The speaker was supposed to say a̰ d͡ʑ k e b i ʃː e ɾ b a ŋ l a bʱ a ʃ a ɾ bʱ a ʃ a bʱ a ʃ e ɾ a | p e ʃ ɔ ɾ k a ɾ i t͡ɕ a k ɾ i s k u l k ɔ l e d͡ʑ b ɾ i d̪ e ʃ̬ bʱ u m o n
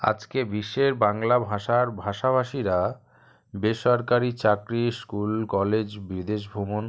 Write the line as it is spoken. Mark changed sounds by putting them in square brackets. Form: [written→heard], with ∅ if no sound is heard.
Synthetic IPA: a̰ d͡ʑ k e b i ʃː e ɾ b a ŋ l a bʱ a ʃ a ɾ bʱ a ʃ a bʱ a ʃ [e→i] ɾ a | [p→b] e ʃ ɔ ɾ k a ɾ i t͡ɕ a k ɾ i s k u l k ɔ l e d͡ʑ b ɾ i d̪ e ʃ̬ bʱ u m o n